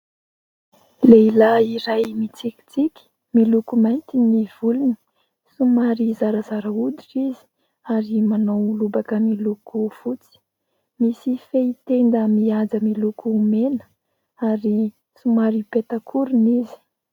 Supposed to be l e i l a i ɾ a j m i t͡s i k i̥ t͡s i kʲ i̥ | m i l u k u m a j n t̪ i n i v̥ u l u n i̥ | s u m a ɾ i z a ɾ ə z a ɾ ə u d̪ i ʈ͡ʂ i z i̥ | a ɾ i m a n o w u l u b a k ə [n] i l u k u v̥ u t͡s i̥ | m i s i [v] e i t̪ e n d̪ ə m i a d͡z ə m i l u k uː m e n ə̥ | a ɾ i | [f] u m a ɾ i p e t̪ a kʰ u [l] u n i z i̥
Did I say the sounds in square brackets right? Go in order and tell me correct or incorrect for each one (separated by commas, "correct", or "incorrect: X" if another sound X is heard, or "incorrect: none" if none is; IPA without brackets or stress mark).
incorrect: m, incorrect: f, incorrect: s, incorrect: ɾ